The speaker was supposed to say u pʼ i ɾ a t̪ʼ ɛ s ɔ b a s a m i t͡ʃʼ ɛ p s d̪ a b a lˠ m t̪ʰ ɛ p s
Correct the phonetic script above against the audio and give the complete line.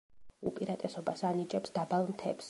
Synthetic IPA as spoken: u pʼ i ɾ a t̪ʼ ɛ s ɔ b a s a n i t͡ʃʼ ɛ p s d̪ a b a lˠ m t̪ʰ ɛ p s